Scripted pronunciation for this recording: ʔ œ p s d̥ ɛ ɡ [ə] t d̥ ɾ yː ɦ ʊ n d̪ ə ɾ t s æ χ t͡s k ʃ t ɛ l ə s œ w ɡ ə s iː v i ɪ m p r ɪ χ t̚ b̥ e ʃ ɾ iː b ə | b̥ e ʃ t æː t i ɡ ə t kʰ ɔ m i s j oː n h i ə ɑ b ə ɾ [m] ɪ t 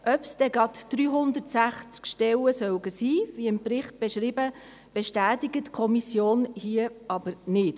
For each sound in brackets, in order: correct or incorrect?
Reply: incorrect: ɑ, incorrect: n

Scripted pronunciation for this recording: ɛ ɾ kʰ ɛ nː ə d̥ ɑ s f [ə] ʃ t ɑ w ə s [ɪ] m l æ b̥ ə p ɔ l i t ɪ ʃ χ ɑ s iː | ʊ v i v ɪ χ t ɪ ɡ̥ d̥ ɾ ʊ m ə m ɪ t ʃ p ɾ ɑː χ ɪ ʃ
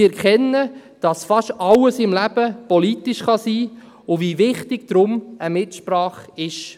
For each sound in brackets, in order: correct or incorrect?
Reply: incorrect: ɑ, correct

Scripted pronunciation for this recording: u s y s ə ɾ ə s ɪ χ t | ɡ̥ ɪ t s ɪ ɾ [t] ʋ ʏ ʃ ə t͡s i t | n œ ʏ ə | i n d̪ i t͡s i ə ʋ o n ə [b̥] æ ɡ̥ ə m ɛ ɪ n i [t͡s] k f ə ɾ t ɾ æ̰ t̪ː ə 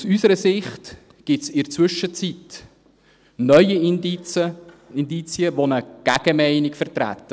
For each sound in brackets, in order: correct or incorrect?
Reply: incorrect: t͡s, incorrect: ɡ̥, incorrect: none

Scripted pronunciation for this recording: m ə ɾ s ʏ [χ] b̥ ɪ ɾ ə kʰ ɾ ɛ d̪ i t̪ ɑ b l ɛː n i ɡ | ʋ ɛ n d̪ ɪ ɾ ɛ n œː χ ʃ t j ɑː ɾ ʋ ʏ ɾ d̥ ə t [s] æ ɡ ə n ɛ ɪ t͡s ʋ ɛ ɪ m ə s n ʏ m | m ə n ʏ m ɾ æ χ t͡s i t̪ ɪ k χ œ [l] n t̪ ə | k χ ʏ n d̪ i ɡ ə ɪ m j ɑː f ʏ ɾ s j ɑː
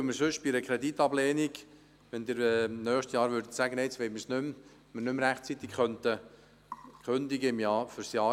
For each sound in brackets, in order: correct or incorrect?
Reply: incorrect: ʃ, correct, incorrect: none

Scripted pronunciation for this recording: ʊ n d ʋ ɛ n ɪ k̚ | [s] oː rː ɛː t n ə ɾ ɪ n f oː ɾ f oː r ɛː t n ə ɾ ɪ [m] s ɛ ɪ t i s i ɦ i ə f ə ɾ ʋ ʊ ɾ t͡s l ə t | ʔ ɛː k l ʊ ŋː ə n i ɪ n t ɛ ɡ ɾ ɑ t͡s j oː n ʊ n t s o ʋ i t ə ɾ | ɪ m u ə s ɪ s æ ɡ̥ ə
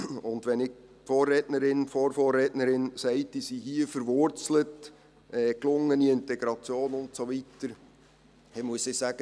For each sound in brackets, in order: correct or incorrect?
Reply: incorrect: f, incorrect: n

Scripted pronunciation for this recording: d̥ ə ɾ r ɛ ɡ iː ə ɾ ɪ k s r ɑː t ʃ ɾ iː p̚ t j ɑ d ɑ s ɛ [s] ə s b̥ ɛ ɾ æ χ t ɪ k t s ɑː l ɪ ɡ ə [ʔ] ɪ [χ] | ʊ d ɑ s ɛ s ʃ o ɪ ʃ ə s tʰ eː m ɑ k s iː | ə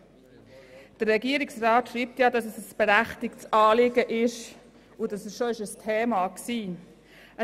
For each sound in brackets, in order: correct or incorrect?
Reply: correct, correct, incorrect: ʃ

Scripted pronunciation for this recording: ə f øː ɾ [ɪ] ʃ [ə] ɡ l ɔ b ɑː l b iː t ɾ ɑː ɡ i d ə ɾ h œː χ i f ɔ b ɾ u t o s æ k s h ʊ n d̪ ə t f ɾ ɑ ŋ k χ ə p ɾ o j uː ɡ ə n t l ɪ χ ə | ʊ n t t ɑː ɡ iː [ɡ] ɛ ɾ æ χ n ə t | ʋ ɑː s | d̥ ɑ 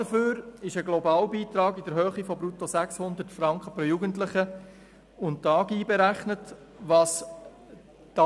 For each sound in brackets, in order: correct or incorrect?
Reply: correct, correct, incorrect: b

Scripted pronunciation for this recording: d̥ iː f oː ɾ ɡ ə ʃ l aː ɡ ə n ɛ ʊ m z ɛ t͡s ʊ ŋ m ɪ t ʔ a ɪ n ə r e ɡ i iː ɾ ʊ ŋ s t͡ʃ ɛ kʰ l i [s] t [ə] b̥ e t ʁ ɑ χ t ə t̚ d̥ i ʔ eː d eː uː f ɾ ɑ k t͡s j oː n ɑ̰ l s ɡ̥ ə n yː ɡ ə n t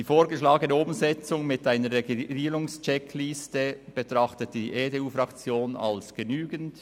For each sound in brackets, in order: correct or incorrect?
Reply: correct, correct

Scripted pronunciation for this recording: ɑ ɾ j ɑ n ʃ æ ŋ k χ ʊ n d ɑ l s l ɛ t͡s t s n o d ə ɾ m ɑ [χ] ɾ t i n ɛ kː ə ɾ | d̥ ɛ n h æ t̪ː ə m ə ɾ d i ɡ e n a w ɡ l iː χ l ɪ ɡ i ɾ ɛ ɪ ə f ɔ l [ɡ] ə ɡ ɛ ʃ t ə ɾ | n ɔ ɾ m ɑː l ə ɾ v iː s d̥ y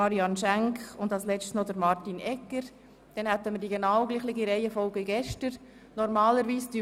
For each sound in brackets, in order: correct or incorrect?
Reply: incorrect: none, correct

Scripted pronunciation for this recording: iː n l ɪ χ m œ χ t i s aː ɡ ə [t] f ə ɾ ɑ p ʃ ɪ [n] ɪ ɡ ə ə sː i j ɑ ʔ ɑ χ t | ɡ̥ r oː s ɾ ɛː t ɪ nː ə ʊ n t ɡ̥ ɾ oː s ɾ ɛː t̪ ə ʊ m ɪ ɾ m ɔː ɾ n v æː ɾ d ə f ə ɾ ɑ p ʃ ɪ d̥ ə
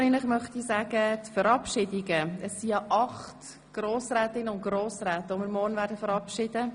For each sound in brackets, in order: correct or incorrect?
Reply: correct, incorrect: d

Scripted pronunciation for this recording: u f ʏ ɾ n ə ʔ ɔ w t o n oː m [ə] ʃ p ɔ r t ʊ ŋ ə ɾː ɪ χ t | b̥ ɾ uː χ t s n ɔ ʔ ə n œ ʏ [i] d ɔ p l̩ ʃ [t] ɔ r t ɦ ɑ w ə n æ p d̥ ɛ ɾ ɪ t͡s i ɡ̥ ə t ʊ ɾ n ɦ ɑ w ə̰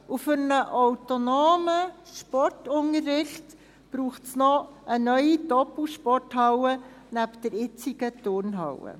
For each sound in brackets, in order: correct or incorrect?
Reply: correct, correct, incorrect: p

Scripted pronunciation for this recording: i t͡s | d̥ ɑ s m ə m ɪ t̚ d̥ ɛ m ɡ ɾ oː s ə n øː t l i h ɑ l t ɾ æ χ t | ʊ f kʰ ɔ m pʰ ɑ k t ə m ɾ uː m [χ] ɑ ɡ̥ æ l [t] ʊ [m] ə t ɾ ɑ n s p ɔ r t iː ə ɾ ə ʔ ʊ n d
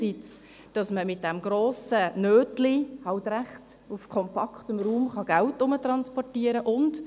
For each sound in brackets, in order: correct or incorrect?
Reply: correct, correct, correct

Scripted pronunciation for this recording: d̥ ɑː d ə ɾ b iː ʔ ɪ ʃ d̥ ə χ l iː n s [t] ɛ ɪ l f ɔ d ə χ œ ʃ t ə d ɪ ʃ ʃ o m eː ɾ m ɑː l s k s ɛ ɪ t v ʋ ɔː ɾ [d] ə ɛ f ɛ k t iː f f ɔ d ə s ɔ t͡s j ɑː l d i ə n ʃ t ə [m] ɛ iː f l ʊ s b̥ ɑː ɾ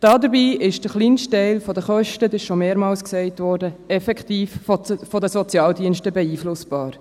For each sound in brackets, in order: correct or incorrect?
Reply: correct, correct, incorrect: b

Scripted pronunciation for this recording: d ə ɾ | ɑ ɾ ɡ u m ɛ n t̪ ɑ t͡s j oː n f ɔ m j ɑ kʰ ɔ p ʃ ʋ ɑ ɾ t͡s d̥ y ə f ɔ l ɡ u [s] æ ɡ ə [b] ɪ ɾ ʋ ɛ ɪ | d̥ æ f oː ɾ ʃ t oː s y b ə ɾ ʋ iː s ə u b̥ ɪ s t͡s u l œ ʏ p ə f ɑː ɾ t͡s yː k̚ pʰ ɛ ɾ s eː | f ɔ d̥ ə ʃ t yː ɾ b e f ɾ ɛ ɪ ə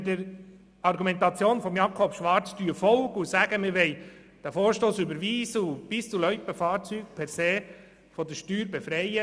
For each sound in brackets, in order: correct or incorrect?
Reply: correct, incorrect: m

